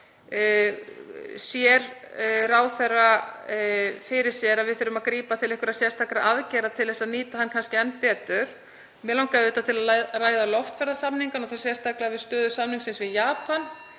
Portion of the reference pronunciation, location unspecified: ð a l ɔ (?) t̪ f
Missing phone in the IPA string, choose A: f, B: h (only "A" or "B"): A